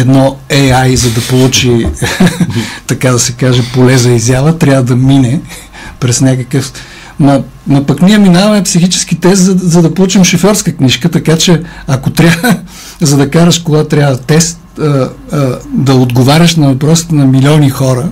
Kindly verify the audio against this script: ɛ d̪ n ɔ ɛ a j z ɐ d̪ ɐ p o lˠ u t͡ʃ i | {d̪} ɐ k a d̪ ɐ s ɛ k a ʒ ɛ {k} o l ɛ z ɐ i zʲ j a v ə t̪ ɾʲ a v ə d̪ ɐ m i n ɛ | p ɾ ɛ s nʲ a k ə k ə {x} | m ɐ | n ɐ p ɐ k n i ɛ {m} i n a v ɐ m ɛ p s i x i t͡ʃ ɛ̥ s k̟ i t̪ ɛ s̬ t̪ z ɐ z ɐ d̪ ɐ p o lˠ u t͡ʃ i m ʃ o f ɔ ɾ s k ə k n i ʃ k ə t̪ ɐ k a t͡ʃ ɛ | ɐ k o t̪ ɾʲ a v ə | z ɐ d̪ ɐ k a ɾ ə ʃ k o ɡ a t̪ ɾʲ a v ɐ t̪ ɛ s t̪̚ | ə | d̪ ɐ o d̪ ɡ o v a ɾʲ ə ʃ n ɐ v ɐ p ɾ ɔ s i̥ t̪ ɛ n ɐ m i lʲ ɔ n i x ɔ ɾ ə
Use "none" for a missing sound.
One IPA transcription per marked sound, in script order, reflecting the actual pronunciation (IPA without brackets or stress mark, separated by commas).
t̪, p, f, m